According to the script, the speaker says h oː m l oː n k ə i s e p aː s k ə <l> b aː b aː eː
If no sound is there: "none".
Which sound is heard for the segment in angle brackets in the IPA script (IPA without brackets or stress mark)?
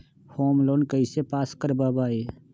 ɾ